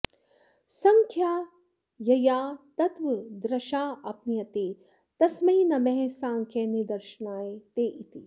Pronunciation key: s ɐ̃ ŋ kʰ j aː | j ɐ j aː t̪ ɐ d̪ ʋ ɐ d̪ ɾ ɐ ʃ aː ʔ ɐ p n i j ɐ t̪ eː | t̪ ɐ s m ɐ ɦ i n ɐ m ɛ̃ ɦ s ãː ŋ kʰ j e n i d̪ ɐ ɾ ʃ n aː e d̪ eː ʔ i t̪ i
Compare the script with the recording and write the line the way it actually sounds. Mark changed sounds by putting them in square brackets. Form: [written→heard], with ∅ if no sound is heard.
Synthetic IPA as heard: s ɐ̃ ŋ kʰ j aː | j ɐ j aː t̪ ɐ [d̪→t̪] ʋ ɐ d̪ ɾ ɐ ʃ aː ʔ ɐ p n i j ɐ t̪ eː | t̪ ɐ s m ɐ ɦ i n ɐ m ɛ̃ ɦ s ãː ŋ kʰ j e n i d̪ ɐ ɾ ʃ n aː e [d̪→t̪] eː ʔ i t̪ i